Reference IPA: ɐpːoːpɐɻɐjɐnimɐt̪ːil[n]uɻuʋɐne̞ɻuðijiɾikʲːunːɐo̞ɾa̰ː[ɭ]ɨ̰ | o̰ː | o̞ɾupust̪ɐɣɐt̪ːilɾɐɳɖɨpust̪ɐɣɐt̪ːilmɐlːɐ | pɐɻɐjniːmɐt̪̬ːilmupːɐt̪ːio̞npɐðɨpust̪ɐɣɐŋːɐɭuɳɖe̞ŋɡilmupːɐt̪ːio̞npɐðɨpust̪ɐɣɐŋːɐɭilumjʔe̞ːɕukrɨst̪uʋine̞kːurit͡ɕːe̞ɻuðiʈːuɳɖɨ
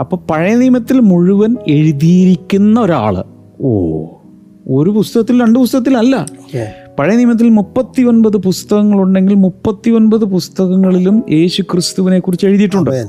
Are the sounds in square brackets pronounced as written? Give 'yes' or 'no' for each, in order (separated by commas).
no, yes